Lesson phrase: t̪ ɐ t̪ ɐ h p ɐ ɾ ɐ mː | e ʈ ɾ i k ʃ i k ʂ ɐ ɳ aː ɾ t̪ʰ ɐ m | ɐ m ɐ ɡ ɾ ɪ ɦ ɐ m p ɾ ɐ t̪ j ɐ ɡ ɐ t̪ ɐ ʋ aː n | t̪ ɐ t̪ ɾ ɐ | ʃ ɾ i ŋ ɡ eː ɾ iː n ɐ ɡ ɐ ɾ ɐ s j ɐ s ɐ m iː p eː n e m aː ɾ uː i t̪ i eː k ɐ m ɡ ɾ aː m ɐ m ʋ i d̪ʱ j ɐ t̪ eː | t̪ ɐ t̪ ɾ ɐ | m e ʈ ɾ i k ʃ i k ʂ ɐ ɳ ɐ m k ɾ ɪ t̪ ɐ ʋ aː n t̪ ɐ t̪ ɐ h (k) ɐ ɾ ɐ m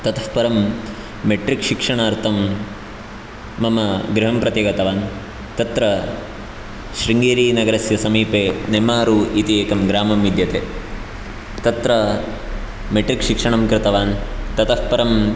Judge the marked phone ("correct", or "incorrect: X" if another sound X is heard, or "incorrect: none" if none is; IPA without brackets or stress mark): incorrect: p